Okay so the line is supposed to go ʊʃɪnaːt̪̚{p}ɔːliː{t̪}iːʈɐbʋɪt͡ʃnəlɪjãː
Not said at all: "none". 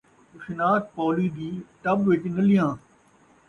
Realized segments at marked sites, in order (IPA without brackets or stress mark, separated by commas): p, d̪